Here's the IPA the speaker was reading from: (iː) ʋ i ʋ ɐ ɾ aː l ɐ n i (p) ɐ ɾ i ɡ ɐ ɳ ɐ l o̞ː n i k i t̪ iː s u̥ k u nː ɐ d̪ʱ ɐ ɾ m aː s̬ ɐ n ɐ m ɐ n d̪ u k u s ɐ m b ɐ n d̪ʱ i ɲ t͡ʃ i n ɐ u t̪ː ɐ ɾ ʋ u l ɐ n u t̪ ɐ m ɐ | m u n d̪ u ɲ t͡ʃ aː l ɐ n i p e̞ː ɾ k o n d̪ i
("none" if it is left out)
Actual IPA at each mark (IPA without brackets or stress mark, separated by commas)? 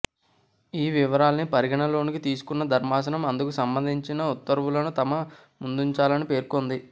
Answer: iː, p